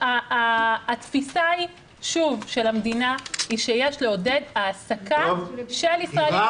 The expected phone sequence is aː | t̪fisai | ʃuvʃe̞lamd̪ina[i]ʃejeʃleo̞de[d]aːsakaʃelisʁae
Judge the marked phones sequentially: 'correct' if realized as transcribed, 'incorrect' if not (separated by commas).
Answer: correct, correct